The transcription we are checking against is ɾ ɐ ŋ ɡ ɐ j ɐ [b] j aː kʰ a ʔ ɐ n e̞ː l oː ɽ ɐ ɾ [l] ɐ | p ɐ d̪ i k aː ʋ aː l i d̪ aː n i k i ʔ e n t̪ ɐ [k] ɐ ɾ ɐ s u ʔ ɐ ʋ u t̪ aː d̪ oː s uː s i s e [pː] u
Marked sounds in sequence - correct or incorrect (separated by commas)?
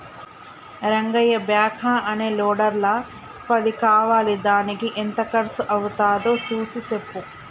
correct, correct, correct, correct